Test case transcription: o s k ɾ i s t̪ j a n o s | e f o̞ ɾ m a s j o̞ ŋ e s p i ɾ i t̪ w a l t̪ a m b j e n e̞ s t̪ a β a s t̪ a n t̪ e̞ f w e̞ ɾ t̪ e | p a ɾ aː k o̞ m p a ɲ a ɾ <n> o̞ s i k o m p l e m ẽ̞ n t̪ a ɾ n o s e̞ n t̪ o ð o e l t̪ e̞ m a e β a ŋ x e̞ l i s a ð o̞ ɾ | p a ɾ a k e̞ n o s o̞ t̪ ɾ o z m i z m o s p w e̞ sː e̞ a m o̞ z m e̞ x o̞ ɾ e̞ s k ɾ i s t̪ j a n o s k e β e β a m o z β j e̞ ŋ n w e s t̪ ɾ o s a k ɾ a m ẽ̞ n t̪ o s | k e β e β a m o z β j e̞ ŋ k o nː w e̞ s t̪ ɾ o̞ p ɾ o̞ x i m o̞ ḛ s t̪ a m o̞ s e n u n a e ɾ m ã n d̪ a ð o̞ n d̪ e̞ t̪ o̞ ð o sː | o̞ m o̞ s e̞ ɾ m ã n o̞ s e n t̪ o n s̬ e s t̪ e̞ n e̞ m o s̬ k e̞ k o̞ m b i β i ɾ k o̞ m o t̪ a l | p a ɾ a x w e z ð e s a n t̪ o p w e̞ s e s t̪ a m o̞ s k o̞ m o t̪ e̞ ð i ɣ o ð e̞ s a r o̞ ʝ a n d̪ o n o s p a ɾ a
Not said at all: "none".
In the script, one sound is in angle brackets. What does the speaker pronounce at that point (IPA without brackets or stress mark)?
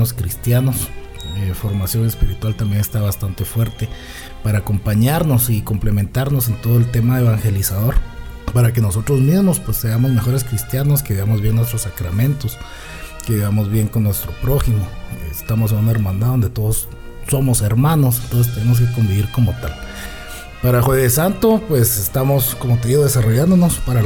n